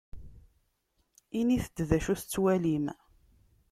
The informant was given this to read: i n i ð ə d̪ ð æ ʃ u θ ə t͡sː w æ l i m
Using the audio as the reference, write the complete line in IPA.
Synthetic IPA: i n i θ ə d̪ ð æ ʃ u θ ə t͡sː w æ l i m